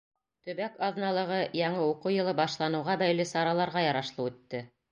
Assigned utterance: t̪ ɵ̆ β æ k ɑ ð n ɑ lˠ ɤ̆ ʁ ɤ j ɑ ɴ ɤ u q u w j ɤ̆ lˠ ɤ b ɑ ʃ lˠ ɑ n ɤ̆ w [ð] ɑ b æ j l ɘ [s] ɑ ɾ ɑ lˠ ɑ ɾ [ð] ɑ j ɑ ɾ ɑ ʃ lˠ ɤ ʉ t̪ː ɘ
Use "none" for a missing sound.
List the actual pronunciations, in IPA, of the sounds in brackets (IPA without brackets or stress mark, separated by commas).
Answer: ʁ, s, ʁ